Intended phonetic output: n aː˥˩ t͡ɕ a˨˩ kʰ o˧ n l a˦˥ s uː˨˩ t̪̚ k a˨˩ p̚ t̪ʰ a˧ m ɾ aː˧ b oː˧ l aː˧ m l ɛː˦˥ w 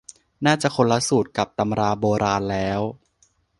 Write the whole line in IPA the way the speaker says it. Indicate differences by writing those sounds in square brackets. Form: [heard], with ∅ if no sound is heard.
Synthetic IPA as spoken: n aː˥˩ t͡ɕ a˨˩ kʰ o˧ n l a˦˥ s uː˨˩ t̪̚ k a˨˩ p̚ [t̪] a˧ m ɾ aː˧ b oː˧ [ɾ] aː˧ [n] l ɛː˦˥ w